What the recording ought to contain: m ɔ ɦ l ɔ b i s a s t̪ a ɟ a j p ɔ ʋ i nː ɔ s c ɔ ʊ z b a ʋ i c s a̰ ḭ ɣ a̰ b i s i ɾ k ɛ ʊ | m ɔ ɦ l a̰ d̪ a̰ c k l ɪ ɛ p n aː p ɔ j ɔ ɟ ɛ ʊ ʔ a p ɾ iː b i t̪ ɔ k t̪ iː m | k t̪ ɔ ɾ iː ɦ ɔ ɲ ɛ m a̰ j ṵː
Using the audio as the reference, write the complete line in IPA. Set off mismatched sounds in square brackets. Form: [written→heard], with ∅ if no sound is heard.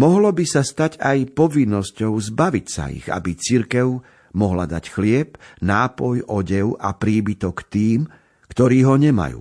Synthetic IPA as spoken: m ɔ ɦ l ɔ b i s a s t̪ a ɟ a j p ɔ ʋ i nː ɔ s c ɔ ʊ z b a ʋ i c s a̰ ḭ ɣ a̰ b i [s→t͡s] i ɾ k ɛ ʊ | m ɔ ɦ l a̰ d̪ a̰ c [k→x] l ɪ ɛ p n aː p ɔ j ɔ ɟ ɛ ʊ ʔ a p ɾ iː b i t̪ ɔ k t̪ iː m | k t̪ ɔ ɾ iː ɦ ɔ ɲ ɛ m a̰ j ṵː